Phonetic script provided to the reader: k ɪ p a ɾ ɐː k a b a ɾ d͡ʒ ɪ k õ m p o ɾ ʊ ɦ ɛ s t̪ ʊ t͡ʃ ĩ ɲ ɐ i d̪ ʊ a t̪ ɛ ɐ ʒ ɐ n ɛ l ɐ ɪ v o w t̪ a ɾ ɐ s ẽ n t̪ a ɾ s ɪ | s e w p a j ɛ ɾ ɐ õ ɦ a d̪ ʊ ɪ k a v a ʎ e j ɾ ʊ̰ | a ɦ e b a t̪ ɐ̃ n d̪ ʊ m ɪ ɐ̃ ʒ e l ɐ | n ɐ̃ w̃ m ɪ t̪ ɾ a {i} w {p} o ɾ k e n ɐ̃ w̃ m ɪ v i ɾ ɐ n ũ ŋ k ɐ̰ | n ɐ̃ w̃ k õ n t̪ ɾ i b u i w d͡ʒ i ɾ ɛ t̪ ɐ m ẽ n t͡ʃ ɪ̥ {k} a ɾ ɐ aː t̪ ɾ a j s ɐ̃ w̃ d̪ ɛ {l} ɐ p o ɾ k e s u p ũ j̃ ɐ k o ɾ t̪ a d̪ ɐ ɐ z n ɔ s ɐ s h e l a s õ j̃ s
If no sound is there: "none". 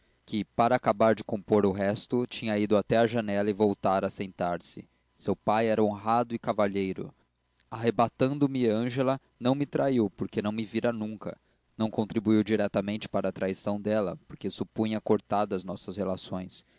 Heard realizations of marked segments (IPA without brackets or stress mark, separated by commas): i, p, p, l